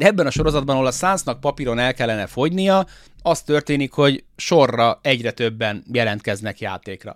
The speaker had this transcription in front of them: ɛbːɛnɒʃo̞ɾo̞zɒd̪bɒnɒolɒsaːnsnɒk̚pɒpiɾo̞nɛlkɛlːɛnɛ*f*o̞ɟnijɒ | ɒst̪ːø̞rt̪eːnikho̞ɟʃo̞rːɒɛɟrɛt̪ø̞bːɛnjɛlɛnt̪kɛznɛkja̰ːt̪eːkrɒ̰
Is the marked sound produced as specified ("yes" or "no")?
yes